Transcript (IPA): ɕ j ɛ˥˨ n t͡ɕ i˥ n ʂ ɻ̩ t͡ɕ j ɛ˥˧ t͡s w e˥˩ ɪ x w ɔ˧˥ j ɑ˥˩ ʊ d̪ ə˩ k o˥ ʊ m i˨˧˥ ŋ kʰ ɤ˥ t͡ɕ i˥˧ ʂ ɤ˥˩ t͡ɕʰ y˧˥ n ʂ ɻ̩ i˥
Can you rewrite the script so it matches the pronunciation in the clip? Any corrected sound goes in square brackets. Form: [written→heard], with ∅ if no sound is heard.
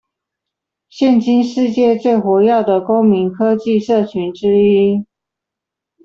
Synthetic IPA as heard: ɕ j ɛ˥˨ n t͡ɕ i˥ n ʂ ɻ̩ t͡ɕ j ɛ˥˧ t͡s w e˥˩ ɪ x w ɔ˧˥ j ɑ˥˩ ʊ d̪ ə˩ k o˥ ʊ m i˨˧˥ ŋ kʰ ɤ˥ t͡ɕ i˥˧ ʂ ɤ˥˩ t͡ɕʰ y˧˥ n [ʂ→ʈ͡ʂ] ɻ̩ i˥